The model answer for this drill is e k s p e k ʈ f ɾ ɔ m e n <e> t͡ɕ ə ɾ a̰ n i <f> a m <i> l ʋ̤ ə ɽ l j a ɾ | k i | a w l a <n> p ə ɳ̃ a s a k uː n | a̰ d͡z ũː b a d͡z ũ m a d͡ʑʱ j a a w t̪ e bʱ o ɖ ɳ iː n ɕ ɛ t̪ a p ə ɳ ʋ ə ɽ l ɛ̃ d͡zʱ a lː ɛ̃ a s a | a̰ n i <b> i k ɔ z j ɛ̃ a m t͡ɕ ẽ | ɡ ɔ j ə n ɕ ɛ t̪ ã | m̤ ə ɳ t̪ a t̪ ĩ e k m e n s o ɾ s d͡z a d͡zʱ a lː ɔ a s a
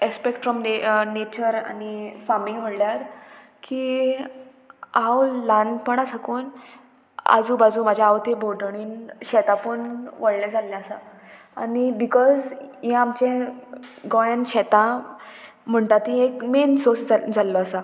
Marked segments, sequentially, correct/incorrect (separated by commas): correct, correct, correct, correct, correct